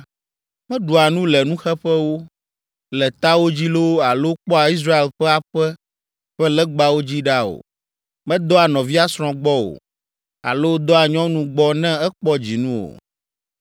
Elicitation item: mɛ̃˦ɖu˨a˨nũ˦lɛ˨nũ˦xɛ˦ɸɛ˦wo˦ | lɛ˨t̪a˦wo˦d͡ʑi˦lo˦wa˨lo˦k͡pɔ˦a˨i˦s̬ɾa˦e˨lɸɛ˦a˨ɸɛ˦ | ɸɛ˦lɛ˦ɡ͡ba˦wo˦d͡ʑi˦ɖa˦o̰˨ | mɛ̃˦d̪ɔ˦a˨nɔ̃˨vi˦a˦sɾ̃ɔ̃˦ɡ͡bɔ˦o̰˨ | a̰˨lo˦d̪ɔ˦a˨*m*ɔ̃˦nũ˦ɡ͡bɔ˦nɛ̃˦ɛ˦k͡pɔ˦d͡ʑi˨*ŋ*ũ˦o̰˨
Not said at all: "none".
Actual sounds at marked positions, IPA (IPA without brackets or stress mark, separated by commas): ɲ, n